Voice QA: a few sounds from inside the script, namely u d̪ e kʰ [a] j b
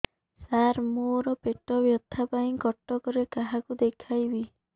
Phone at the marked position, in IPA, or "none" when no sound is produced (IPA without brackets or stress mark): a